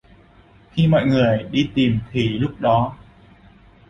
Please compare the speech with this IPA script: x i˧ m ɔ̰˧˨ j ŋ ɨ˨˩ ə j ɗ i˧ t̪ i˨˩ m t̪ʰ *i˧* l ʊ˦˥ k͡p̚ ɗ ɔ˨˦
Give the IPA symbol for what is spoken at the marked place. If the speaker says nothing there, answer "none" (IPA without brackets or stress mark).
i˨˩